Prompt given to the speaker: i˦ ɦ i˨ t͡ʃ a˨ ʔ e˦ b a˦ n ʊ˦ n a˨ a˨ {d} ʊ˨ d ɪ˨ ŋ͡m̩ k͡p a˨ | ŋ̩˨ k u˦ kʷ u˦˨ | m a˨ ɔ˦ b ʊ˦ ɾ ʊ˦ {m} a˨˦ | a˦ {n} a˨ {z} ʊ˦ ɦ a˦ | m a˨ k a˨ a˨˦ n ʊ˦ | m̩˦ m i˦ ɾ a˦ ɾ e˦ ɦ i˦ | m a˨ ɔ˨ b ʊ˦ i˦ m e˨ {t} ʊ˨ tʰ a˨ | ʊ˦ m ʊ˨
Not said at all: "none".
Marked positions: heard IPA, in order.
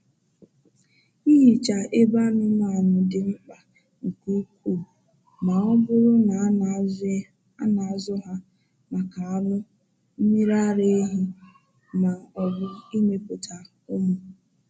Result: n, n, n, z, p

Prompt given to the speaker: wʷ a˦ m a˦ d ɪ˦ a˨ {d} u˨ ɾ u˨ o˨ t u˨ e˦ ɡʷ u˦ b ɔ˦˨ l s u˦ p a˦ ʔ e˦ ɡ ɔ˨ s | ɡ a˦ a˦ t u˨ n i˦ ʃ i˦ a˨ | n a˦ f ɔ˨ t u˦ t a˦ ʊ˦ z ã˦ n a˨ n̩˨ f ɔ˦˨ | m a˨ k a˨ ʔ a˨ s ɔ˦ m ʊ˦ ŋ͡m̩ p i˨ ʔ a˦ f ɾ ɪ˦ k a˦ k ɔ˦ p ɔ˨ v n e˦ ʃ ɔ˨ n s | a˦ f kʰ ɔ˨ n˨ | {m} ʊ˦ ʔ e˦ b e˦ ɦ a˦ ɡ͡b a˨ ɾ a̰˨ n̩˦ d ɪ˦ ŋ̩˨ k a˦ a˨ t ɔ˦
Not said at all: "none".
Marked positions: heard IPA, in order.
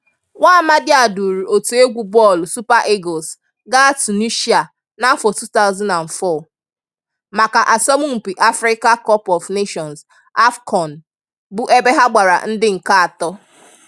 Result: d, b

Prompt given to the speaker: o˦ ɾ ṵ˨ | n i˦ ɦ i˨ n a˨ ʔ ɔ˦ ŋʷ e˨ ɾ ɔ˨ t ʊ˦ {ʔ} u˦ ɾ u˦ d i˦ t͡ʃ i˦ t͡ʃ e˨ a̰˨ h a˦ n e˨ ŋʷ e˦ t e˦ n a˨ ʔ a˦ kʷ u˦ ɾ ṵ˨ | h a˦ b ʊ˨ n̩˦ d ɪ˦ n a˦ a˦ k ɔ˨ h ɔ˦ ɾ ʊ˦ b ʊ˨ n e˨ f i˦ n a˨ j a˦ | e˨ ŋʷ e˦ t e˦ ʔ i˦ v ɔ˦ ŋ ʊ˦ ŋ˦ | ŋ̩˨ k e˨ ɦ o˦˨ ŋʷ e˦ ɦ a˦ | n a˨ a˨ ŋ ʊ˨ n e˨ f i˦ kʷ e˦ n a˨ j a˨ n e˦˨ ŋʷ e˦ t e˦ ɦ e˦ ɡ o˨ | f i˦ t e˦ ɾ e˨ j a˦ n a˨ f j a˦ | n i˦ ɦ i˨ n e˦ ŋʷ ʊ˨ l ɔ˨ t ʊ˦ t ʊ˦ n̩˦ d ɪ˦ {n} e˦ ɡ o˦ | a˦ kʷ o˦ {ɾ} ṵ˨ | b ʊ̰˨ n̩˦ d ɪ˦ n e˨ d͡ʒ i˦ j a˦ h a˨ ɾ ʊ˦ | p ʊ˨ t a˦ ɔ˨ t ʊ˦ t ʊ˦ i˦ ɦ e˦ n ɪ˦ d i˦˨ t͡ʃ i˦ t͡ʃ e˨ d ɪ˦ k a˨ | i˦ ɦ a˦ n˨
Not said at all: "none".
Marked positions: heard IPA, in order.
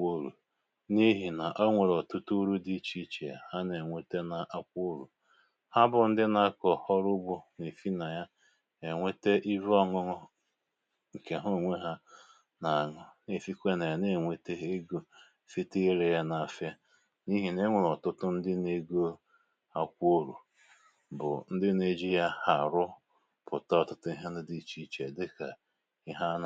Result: t, n, ɾ

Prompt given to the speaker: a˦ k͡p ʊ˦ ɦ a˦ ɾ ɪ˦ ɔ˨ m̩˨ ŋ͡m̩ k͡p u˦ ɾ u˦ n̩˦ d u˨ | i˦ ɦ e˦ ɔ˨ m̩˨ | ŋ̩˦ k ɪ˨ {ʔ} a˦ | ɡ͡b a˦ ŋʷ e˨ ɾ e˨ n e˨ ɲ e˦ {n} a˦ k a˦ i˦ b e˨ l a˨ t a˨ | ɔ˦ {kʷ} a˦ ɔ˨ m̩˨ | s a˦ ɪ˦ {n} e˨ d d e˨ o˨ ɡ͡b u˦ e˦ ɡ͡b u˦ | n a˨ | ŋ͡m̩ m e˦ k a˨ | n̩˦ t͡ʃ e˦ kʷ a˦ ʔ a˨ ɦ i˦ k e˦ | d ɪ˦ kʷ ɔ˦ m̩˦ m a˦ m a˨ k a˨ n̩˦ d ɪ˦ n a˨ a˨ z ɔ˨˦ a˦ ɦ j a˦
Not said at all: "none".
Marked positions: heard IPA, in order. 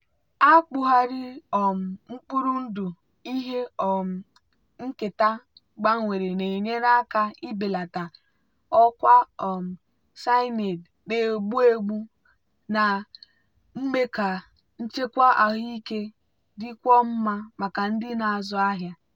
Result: t, n, kʷ, n

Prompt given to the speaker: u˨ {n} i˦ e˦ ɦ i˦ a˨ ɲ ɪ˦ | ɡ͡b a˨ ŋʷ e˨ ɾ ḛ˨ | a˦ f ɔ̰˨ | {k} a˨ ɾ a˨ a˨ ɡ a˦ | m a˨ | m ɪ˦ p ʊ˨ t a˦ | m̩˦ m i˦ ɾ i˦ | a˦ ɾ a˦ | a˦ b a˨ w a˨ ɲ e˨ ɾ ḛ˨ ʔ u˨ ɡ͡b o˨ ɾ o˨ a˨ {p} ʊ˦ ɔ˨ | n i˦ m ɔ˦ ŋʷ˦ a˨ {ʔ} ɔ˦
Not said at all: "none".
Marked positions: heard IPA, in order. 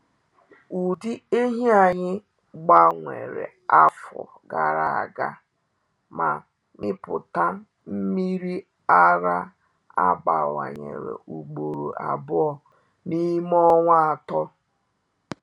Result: d, ɡ, b, t

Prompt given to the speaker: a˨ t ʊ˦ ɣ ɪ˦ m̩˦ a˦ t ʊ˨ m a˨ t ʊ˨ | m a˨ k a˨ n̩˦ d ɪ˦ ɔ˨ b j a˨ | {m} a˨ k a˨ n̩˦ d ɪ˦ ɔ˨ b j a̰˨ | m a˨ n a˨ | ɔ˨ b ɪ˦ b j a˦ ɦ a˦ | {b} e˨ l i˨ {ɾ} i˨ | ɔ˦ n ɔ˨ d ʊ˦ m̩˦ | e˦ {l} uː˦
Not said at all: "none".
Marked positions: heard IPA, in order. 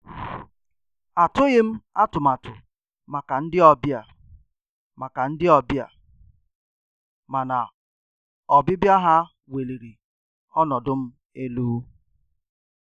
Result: m, w, ɾ, l

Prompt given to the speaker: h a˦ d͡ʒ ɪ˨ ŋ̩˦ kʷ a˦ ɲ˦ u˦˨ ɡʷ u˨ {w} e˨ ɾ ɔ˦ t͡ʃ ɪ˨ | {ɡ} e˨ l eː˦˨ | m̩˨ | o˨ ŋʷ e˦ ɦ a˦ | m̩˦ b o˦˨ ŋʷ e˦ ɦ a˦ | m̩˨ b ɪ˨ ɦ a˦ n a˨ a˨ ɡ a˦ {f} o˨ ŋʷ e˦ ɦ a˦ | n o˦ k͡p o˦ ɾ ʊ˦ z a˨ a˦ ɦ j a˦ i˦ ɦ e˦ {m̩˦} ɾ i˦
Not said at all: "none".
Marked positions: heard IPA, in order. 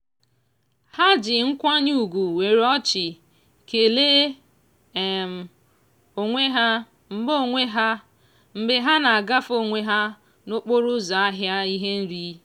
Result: w, k, f, n̩˦

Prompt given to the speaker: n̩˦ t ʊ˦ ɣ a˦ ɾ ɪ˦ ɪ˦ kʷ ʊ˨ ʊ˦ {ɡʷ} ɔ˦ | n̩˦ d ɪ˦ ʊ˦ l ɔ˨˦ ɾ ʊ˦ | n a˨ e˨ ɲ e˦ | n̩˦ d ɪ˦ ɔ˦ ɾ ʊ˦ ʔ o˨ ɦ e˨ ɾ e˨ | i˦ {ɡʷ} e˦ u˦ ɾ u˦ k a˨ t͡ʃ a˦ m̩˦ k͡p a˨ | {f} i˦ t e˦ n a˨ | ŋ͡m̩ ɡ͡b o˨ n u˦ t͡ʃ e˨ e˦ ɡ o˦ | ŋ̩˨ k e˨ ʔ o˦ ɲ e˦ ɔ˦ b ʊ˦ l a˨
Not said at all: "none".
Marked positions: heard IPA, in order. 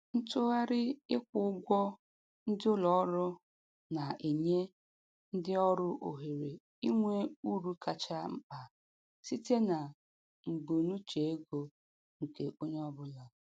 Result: ɡʷ, ŋʷ, s

